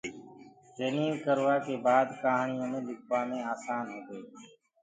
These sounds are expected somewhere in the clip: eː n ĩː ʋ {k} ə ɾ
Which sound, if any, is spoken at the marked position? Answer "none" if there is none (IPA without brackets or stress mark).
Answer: k